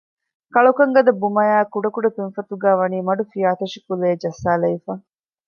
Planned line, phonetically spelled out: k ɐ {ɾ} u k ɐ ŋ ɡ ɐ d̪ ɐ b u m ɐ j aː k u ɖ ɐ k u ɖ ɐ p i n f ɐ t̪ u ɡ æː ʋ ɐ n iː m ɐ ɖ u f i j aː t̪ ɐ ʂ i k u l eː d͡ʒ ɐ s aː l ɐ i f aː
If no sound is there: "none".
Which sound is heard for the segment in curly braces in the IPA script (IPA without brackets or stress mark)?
ɭ